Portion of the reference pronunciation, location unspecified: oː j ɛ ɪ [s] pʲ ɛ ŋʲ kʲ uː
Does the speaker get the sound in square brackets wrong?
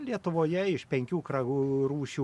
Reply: yes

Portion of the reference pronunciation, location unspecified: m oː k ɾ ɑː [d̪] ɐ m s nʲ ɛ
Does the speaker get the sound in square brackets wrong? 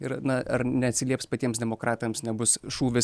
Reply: yes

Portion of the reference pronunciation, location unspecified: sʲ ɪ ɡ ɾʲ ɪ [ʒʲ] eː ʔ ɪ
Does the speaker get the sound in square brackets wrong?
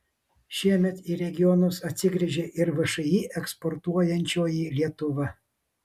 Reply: no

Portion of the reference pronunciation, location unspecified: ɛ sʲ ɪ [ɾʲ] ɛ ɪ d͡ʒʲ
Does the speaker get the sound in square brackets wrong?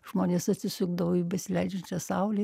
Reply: yes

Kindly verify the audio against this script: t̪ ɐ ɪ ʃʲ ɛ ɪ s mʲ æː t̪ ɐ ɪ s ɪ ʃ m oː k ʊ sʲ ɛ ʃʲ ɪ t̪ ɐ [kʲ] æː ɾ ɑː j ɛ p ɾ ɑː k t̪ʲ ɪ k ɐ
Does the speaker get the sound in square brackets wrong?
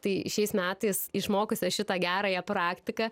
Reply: yes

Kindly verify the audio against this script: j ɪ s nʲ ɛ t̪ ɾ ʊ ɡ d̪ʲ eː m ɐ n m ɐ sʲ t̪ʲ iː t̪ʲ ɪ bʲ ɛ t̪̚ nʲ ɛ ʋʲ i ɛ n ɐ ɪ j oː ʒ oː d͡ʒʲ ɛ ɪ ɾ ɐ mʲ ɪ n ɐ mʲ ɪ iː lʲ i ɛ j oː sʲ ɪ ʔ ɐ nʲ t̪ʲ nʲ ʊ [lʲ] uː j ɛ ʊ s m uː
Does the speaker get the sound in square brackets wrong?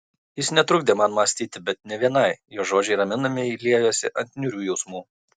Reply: yes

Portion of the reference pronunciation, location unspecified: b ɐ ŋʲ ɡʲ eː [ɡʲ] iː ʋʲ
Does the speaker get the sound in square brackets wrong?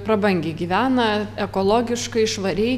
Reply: no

